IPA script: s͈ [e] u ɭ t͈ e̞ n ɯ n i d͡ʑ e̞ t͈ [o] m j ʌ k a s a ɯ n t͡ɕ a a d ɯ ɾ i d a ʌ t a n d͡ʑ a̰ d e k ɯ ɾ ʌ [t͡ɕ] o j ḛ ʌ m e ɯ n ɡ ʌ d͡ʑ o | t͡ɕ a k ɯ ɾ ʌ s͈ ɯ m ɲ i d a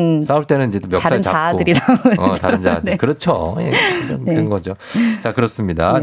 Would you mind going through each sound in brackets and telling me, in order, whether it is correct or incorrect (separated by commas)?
incorrect, correct, incorrect